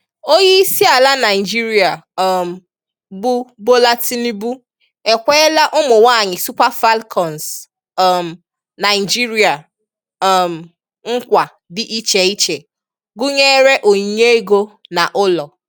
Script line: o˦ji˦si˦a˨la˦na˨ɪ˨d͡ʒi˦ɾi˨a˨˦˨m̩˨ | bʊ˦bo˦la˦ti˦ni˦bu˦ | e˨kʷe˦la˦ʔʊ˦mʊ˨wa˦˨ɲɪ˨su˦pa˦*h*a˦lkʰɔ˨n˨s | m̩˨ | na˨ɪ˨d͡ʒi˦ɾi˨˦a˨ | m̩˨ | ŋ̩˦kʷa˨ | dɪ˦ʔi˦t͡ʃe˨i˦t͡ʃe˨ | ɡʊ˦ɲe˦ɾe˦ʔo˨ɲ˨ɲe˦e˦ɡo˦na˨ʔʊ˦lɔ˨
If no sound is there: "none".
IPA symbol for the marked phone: f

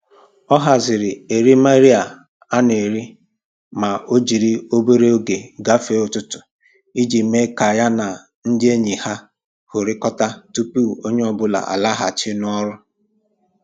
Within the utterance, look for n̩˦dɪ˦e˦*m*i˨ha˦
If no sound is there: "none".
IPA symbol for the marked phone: ɲ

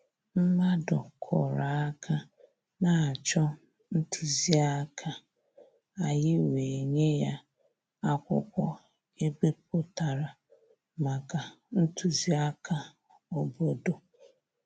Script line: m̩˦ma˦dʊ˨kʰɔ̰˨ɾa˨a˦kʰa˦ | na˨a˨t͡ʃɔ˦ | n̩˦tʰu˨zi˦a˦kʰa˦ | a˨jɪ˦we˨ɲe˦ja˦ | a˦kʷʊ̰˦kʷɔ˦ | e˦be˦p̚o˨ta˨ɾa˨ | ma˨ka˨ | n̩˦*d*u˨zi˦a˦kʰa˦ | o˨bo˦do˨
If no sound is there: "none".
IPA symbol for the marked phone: t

